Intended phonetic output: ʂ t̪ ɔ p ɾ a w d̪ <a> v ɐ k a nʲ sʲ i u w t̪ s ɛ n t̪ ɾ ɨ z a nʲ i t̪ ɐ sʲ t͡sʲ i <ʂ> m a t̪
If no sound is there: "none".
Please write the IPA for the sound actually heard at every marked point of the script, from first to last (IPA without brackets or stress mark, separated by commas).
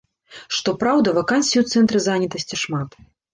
ɐ, ʂ